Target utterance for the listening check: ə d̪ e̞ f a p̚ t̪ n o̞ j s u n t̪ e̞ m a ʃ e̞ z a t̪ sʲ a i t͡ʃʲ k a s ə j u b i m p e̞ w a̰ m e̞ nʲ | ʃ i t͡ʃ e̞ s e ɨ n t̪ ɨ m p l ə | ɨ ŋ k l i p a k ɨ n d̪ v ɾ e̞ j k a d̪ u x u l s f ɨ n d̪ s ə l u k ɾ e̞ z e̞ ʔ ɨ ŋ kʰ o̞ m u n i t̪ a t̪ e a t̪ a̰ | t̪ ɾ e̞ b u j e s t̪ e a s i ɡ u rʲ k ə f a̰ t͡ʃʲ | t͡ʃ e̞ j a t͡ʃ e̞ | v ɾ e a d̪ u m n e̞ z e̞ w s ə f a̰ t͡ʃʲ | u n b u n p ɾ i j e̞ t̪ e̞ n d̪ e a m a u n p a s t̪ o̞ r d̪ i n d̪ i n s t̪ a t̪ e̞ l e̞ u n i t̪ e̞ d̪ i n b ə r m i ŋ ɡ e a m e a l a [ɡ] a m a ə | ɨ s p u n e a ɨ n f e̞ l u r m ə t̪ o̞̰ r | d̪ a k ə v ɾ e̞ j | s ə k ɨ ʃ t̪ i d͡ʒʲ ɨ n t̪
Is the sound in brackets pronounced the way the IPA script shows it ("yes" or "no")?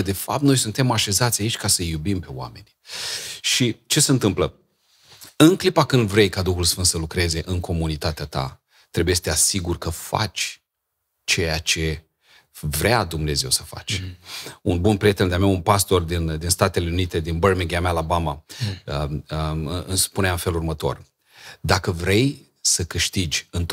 no